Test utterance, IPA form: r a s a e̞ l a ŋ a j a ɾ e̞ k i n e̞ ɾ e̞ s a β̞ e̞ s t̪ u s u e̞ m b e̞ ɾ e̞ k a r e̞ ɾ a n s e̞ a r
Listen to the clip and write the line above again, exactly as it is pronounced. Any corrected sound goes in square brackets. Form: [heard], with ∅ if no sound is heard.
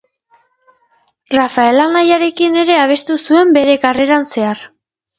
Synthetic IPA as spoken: r a [f] a e̞ l a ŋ a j a ɾ e̞ k i n e̞ ɾ e̞ [∅] a β̞ e̞ s t̪ u s u e̞ m b e̞ ɾ e̞ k a r e̞ ɾ a n s e̞ a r